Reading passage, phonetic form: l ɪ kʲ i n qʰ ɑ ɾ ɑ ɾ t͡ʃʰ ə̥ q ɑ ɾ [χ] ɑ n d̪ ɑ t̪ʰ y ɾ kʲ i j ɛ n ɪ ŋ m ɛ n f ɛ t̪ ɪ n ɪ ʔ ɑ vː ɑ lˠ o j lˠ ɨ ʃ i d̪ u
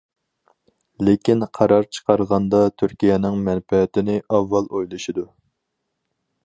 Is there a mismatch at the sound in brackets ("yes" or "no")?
yes